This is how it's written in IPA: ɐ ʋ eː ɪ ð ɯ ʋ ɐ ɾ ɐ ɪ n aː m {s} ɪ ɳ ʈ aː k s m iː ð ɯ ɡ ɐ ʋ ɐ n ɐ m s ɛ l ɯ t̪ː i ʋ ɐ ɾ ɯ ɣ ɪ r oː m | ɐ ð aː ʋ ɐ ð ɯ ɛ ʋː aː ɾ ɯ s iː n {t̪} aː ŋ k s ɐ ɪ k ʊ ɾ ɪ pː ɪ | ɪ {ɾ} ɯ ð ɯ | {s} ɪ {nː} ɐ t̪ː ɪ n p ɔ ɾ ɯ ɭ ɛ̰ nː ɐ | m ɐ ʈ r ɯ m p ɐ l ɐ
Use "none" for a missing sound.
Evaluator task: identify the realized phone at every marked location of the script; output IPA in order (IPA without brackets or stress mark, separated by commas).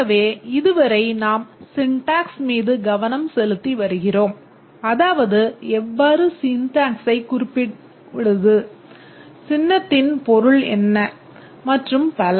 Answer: s, t̪, ɽ, s, nː